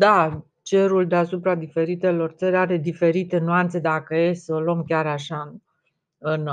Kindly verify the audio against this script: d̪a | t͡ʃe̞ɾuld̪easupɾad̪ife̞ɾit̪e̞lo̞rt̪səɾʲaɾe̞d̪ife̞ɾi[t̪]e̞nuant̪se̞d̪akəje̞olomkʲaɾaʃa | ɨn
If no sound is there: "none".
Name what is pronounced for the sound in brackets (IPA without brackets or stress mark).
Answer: t̪